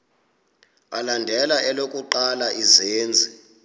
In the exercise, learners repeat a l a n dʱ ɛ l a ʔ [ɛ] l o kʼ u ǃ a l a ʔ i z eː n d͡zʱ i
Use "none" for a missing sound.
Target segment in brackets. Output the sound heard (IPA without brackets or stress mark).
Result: ɛ